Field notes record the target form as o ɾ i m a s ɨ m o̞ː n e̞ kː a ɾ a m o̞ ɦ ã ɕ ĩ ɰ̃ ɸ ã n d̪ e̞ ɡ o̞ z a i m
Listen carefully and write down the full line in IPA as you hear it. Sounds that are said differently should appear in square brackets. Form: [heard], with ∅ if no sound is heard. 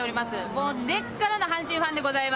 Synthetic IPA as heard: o ɾ i m a s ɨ m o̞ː n e̞ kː a ɾ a [n] o̞ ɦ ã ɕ ĩ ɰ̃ ɸ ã n d̪ e̞ ɡ o̞ z a i m